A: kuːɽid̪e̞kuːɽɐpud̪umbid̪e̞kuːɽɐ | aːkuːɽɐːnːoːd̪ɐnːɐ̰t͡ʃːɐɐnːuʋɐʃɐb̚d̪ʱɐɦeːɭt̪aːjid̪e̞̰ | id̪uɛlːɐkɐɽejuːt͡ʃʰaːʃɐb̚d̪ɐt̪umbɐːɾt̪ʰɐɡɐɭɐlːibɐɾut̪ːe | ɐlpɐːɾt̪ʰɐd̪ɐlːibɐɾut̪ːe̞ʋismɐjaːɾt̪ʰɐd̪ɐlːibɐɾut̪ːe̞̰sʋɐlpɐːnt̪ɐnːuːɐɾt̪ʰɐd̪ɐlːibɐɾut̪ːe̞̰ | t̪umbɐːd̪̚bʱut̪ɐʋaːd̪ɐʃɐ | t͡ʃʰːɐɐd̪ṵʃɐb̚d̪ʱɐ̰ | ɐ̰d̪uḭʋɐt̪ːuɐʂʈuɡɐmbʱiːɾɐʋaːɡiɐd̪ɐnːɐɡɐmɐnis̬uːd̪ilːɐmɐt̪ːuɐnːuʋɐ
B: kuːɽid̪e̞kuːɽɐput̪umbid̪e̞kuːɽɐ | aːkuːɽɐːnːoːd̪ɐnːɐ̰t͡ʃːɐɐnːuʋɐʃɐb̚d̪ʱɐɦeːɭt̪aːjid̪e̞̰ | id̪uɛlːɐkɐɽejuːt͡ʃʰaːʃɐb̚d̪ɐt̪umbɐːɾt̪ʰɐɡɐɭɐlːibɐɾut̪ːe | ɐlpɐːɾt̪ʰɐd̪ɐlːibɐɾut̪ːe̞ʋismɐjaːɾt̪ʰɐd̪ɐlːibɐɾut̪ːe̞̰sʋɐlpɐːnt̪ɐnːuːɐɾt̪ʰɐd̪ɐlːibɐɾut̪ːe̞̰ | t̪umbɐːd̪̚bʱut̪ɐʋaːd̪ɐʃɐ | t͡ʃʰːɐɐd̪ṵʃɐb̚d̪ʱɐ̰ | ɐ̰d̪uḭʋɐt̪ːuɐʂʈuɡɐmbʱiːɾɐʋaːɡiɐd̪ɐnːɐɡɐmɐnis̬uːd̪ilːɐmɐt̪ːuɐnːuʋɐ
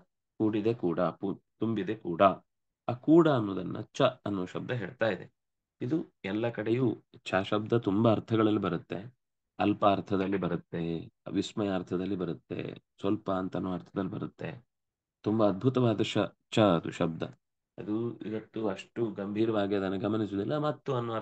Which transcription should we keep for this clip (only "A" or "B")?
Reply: B